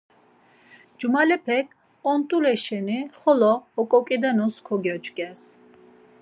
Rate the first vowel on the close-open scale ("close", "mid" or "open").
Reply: close